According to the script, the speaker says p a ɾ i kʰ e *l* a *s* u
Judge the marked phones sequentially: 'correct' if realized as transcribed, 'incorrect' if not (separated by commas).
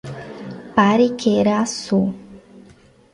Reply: incorrect, correct